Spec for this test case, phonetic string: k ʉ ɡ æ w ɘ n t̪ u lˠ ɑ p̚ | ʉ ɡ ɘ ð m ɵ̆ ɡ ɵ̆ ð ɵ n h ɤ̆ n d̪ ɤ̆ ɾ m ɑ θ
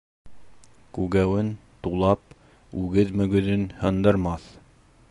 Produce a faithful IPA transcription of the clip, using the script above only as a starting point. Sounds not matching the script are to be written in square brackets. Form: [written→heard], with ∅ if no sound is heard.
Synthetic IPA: k ʉ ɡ æ w ɘ n t̪ u lˠ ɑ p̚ | ʉ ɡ ɘ ð m ɵ̆ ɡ ɵ̆ ð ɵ n h ɤ̆ n d̪ ɤ̆ ɾ m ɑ θ

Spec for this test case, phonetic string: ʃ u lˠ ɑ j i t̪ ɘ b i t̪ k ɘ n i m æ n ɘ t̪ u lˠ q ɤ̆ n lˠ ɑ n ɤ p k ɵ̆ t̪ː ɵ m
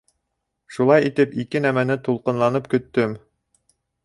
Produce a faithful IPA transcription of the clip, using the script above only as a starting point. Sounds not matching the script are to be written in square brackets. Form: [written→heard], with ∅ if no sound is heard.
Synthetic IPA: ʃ u lˠ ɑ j i t̪ ɘ [b→p] i [t̪→∅] k ɘ n [i→æ] m æ n ɘ t̪ u lˠ q ɤ̆ n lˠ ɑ n ɤ p k ɵ̆ t̪ː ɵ m

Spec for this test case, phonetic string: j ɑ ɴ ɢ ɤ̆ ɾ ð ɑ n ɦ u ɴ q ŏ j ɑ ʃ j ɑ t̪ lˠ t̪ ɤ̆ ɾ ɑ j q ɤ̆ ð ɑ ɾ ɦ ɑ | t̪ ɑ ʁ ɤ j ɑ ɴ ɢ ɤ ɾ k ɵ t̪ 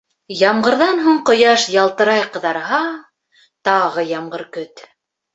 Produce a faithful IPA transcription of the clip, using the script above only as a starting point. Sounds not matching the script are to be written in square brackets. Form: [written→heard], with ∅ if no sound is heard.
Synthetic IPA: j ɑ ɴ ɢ ɤ̆ ɾ ð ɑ n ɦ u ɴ q ŏ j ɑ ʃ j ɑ [t̪→∅] lˠ t̪ ɤ̆ ɾ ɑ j q ɤ̆ ð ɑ ɾ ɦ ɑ | t̪ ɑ ʁ ɤ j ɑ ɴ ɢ ɤ ɾ k ɵ t̪

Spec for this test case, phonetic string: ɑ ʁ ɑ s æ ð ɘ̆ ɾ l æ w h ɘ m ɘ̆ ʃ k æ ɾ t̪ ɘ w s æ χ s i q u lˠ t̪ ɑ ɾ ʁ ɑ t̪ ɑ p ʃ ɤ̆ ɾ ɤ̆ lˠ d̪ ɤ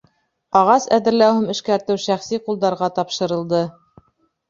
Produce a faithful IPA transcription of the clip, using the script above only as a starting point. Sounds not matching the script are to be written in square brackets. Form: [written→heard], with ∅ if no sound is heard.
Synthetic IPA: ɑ ʁ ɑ s æ ð ɘ̆ ɾ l æ w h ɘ m ɘ̆ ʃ k æ ɾ t̪ ɘ w [s→ʃ] æ χ s i q u lˠ [t̪→d̪] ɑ ɾ ʁ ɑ t̪ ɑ p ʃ ɤ̆ ɾ ɤ̆ lˠ d̪ ɤ

